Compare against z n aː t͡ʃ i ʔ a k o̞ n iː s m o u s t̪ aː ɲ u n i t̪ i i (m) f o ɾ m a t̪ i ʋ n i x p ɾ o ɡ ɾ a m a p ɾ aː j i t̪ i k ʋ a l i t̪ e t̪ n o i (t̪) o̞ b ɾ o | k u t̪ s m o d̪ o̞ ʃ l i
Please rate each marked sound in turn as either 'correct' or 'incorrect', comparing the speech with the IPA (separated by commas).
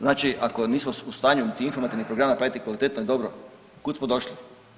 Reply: incorrect, incorrect